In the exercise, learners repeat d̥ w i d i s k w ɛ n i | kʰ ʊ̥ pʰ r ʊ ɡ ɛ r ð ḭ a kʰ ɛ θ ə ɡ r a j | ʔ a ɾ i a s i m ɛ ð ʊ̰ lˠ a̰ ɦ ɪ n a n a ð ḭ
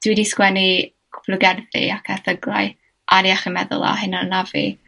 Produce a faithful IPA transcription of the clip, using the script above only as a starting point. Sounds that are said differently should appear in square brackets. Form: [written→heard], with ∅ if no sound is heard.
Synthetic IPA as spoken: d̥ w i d i s k w ɛ n i | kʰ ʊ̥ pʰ [r→l] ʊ ɡ ɛ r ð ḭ a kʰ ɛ θ ə ɡ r a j | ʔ a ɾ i a [s→χ] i m ɛ ð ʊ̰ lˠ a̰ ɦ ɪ n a n a [ð→v] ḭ